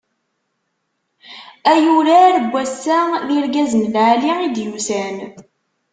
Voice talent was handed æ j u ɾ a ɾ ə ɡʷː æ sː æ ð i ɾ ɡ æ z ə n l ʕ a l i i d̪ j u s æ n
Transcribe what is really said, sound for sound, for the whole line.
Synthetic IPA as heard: æ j u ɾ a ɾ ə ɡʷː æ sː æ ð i ɾ ɡ æ z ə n l ʕ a l i i d̪ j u s æ n